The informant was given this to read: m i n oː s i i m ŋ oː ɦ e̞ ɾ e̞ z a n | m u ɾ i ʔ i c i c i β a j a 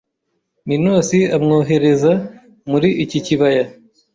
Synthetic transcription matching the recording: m i n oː s i a m ŋ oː ɦ e̞ ɾ e̞ z a | m u ɾ i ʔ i c i c i β a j a